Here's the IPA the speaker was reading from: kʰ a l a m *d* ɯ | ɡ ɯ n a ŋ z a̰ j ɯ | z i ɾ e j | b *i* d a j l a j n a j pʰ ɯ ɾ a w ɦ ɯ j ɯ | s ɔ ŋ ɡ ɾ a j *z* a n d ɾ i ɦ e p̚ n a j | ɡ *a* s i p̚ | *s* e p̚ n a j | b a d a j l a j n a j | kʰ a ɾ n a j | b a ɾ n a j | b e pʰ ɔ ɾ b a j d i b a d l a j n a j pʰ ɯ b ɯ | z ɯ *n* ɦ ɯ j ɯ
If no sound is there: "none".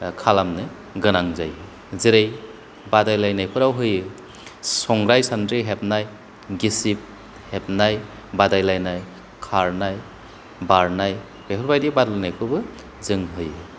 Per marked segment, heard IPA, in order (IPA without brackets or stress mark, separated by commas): n, a, s, i, h, ŋ